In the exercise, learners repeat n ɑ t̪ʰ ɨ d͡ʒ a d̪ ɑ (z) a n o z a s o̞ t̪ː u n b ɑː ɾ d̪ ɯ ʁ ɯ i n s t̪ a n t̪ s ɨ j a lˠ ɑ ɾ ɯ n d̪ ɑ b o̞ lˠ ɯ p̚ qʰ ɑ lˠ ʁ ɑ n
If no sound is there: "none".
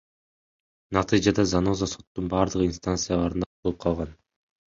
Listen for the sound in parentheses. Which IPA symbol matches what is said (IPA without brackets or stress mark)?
z